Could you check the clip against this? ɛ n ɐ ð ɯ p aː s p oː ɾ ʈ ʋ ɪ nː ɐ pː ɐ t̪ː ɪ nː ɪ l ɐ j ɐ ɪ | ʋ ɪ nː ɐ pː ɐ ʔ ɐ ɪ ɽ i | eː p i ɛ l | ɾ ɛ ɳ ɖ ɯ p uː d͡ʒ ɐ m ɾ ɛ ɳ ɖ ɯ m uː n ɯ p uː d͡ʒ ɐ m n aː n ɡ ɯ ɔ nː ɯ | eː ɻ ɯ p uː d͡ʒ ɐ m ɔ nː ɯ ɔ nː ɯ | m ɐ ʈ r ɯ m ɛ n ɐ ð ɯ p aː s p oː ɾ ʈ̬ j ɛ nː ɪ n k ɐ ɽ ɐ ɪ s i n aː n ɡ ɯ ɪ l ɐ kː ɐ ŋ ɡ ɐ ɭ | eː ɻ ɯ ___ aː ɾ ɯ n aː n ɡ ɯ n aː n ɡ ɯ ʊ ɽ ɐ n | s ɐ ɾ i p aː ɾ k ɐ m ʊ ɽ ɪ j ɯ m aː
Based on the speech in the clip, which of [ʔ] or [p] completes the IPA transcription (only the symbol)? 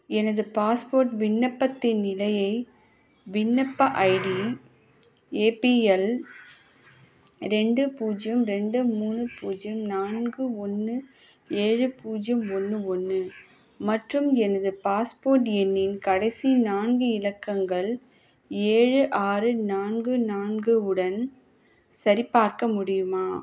ʔ